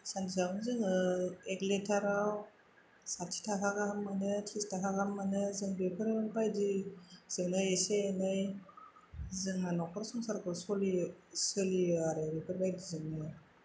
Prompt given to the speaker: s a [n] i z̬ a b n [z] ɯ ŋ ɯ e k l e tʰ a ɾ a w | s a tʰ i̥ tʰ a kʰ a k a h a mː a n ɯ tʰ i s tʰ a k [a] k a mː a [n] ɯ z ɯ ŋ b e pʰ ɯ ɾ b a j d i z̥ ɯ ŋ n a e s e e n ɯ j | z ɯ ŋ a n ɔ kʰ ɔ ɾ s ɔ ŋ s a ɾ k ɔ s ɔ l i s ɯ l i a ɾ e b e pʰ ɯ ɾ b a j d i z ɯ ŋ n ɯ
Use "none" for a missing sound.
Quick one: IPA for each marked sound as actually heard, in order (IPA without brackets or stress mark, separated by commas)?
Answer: n, z, a, n